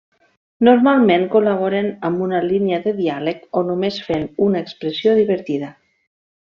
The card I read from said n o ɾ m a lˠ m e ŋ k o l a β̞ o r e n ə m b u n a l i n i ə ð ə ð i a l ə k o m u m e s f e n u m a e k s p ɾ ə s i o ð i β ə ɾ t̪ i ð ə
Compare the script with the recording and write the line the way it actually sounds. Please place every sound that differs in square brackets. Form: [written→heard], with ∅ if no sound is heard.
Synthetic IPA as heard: n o ɾ m a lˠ m e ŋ k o l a β̞ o [r→ɾ] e n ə m b u n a l i n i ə ð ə ð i a l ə k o [m→n] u m e s f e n u [m→n] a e k s p ɾ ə s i o ð i β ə ɾ t̪ i ð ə